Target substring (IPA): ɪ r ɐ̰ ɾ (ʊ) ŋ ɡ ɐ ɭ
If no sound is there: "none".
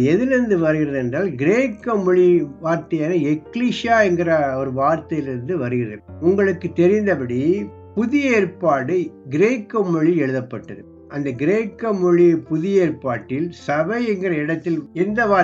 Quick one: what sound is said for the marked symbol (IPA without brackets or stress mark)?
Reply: ʊ